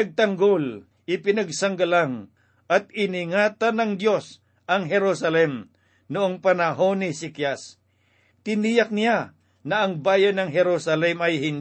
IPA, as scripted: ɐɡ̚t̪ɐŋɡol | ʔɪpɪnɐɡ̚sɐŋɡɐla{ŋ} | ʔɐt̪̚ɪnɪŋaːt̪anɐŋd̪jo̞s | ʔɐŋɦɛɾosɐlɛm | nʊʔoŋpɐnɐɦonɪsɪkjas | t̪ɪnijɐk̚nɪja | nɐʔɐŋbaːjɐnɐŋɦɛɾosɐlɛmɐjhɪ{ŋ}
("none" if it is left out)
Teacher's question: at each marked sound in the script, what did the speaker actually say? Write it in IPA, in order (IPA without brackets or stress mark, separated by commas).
ŋ, n